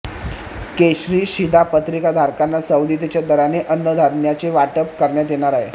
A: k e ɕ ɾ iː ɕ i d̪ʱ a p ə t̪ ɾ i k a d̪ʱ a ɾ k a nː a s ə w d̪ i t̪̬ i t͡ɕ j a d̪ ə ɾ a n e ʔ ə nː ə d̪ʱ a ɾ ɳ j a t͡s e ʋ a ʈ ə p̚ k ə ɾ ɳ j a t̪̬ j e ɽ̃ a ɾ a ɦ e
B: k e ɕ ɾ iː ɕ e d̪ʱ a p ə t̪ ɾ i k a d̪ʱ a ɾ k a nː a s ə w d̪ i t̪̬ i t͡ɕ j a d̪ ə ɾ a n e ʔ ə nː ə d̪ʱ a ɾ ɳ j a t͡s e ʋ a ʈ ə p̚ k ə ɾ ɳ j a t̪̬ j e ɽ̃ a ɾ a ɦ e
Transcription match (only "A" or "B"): A